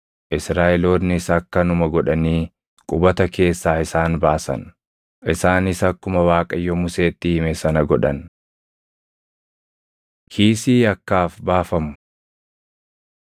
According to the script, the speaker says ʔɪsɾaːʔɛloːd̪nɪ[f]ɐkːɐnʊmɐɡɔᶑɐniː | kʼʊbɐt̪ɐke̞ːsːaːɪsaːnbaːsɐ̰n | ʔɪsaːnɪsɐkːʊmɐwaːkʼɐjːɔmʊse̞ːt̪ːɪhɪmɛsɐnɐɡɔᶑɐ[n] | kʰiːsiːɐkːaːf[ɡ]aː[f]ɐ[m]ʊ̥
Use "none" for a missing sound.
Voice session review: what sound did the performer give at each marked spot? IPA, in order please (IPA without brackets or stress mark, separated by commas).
s, n, b, f, m